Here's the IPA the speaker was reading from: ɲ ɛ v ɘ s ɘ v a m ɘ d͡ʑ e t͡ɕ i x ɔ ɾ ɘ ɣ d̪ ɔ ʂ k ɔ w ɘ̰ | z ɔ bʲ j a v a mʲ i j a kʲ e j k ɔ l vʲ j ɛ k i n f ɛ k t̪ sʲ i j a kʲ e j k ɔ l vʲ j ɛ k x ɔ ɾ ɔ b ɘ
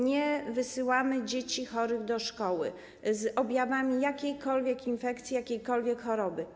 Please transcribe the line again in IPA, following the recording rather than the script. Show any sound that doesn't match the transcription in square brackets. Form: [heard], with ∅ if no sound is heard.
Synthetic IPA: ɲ ɛ v ɘ s ɘ [w] a m ɘ d͡ʑ e t͡ɕ i x ɔ ɾ ɘ ɣ d̪ ɔ ʂ k ɔ w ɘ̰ | z ɔ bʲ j a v a mʲ i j a kʲ e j k ɔ l vʲ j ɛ k i n f ɛ k t̪ sʲ i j a kʲ e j k ɔ l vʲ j ɛ k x ɔ ɾ ɔ b ɘ